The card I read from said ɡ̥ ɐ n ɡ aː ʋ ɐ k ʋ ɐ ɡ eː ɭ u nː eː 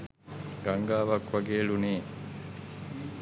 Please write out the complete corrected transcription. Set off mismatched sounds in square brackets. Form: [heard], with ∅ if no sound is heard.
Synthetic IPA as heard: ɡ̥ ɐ [ŋ] ɡ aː ʋ ɐ k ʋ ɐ ɡ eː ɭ u [n] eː

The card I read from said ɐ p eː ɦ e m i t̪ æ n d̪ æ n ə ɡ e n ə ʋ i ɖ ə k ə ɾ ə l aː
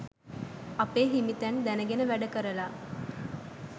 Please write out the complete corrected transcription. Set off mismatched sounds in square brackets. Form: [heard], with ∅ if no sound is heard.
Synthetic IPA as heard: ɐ p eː ɦ [i] m i t̪ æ n d̪ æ n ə ɡ e n ə ʋ [æ] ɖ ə k ə ɾ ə l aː

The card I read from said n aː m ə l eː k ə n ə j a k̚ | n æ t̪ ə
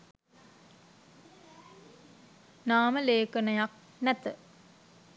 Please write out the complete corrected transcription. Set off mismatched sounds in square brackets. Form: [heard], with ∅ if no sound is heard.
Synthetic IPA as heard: n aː m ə l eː k ə n ə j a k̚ | n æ t̪ ə

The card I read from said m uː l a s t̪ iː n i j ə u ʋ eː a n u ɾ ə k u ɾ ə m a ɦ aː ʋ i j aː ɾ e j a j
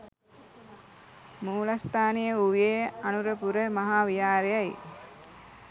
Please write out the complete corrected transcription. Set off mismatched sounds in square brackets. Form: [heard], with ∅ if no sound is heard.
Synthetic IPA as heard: m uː l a s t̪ [aː] n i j ə u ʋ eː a n u ɾ ə [p] u ɾ ə m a ɦ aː ʋ i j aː ɾ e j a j

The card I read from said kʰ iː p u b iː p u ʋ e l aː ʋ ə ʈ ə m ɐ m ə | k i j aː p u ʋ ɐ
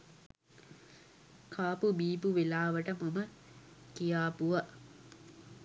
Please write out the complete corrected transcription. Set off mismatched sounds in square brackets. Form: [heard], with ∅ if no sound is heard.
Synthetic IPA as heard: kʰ [aː] p u b iː p u ʋ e l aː ʋ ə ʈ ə m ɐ m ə | k i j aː p u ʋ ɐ

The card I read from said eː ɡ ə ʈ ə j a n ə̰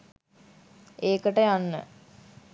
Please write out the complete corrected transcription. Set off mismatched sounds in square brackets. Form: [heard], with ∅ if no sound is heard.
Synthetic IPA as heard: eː [k] ə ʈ ə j a [nː] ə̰

